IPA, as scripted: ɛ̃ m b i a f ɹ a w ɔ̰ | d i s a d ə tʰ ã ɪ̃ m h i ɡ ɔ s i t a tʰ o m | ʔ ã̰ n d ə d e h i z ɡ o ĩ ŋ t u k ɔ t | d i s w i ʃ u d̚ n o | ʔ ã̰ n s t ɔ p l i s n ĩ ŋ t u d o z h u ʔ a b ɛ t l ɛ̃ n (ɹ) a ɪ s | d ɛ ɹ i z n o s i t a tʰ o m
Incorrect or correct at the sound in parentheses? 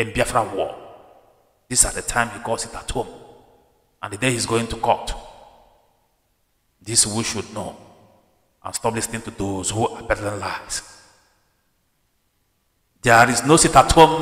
incorrect: l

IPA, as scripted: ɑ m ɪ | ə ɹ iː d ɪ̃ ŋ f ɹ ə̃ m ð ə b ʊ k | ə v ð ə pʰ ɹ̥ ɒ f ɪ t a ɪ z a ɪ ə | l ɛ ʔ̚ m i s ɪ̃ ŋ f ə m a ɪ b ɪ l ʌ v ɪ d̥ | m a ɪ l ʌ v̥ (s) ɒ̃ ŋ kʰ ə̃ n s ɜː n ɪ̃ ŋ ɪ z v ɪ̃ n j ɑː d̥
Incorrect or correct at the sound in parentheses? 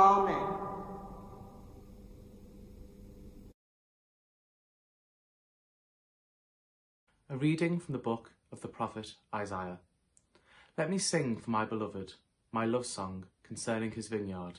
correct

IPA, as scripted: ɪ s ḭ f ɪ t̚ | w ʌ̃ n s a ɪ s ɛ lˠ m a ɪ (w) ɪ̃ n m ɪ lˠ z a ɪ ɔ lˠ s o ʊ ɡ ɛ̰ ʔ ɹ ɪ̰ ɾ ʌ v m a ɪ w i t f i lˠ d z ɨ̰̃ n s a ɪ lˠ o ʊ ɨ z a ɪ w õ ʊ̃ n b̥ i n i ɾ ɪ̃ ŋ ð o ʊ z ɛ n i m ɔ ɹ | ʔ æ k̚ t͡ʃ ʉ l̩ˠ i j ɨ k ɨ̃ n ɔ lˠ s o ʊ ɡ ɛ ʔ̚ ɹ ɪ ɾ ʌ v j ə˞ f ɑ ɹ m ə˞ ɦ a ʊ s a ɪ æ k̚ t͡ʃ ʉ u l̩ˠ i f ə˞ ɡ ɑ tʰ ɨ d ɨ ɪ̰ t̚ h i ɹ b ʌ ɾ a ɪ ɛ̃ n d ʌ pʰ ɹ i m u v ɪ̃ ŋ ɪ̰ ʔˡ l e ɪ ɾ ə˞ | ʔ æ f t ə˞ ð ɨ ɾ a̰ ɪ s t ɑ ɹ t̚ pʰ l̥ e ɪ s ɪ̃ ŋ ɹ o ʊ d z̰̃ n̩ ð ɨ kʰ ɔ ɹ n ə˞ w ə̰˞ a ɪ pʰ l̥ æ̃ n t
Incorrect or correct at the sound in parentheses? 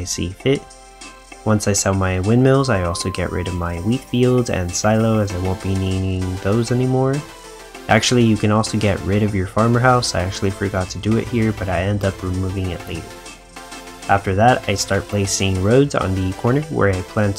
correct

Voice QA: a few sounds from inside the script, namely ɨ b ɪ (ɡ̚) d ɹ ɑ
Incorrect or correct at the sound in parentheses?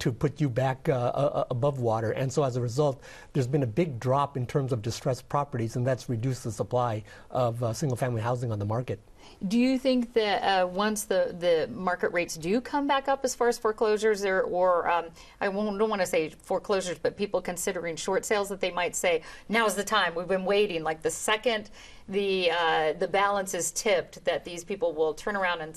correct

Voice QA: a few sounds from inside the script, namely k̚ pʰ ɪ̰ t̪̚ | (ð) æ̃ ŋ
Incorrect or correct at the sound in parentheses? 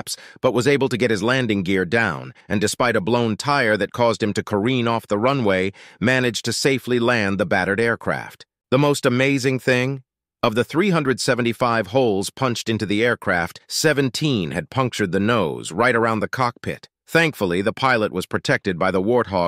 incorrect: θ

